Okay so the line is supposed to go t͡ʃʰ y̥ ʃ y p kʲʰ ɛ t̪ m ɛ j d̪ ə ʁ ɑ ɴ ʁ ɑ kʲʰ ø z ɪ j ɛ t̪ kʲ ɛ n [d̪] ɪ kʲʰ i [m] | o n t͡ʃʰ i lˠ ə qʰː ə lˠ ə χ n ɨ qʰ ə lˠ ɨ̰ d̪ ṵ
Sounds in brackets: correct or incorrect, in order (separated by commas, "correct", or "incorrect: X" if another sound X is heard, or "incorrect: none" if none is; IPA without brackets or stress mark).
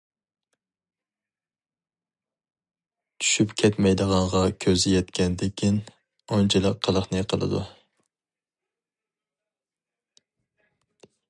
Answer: correct, incorrect: n